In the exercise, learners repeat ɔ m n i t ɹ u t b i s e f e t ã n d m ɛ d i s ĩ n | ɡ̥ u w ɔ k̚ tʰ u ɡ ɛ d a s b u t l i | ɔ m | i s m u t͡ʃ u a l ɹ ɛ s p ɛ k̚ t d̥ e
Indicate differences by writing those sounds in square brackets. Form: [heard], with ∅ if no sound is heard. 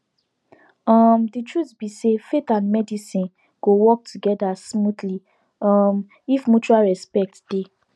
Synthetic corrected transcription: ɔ m [d] i t ɹ u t b i s e f e t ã n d m ɛ d i s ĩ n | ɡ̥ [o] w ɔ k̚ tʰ u ɡ ɛ d a s [m] u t l i | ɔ m | i [f] m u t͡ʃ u a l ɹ ɛ s p ɛ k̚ t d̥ e